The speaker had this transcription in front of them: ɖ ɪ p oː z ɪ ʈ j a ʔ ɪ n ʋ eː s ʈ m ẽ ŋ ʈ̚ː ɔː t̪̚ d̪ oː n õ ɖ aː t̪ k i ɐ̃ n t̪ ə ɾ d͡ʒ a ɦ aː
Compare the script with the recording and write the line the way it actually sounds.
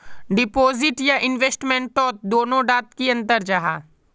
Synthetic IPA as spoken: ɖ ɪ p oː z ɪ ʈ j a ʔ ɪ n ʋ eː s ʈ m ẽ ɳ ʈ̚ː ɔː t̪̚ d̪ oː n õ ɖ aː t̪ k i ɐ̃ n t̪ ə ɾ d͡ʒ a ɦ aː